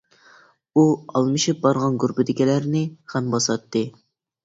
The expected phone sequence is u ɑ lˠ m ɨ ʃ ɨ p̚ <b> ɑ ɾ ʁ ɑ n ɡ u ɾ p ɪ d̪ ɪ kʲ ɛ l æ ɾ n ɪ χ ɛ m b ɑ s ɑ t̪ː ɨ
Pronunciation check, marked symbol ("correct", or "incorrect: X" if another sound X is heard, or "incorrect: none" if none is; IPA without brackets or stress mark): correct